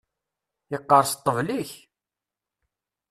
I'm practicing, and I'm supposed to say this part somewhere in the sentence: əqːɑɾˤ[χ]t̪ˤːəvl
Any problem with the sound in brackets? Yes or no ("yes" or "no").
yes